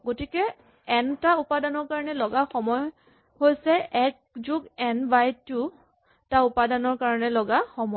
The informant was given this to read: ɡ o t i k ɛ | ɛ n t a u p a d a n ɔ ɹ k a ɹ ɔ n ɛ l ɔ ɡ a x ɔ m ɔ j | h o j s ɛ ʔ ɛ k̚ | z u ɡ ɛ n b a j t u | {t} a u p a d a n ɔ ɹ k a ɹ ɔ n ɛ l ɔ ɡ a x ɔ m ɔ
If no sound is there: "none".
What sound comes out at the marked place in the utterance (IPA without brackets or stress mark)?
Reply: t